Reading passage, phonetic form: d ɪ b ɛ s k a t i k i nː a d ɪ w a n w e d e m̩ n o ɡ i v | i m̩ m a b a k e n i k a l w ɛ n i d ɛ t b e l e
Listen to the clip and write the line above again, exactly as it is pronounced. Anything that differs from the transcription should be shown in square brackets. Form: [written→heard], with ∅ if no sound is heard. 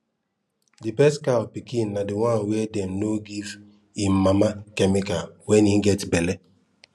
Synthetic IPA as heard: d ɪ b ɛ s k a [t→p] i k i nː a d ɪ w a n w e d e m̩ n o ɡ i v | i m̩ m a [b→m] a k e [n→m] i k a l w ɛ n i [d→ɡ] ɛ t b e l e